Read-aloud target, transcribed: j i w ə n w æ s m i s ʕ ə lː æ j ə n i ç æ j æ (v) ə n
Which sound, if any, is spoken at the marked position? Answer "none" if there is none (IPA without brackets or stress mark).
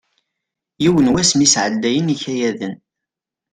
ð